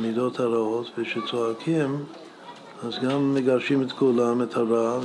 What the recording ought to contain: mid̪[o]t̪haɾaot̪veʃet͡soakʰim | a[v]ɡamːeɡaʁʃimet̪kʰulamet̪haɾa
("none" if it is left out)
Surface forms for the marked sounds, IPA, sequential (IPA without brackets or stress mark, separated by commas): o, z